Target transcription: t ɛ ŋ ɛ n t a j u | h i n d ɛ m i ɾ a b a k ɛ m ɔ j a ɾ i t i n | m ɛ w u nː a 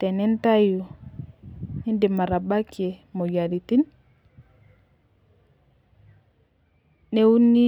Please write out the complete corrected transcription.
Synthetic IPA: t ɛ n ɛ n t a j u | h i n d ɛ m a ɾ a b a k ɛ m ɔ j a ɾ i t i n | n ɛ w u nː i

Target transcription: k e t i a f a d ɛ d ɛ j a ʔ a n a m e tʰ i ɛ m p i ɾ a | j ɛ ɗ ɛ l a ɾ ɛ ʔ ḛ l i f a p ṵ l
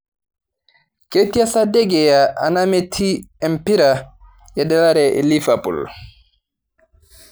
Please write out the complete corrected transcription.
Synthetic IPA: k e t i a s a d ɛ ɡ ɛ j a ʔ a n a m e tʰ i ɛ m p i ɾ a | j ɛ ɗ ɛ l a ɾ ɛ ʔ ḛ l i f a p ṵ l

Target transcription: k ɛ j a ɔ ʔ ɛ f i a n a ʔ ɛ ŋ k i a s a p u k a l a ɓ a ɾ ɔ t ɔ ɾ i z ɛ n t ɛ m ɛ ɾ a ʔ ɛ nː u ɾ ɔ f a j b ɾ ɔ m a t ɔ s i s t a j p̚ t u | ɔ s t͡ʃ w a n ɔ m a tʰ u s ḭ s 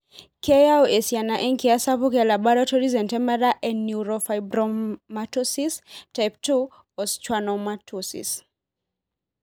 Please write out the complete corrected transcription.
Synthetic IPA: k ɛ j a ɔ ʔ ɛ s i a n a ʔ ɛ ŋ k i a s a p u k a l a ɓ a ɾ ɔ t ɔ ɾ i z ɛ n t ɛ m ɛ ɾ a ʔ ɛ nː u ɾ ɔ f a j b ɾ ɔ m a t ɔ s i s t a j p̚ t u | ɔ s t͡ʃ w a n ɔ m a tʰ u s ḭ s

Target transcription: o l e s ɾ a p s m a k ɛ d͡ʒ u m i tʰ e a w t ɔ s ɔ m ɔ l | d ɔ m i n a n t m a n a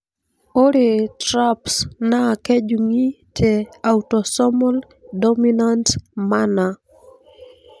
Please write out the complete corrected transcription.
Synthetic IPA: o ɾ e t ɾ a p s n a k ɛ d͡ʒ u ŋ i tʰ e a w t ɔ s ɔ m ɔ l | d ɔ m i n a n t m a n a

